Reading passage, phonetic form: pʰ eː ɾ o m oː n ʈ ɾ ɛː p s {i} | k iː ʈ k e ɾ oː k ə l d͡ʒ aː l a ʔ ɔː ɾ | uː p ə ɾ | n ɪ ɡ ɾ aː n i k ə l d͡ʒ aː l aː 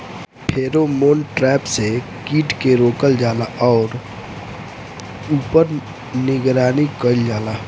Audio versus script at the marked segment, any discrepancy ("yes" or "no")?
yes